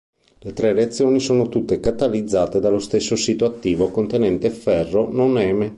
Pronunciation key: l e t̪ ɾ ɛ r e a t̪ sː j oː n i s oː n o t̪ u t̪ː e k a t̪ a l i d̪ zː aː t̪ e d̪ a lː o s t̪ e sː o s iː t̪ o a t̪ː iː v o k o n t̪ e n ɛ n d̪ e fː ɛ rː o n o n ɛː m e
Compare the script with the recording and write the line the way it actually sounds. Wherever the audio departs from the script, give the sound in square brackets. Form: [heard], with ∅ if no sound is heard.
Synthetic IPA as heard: l e t̪ ɾ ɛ r e a t̪ sː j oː n i s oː n o t̪ u t̪ː e k a t̪ a l i d̪ zː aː t̪ e d̪ a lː o s t̪ e sː o s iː t̪ o a t̪ː iː v o k o n t̪ e n ɛ n [t̪] e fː ɛ rː o n o n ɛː m e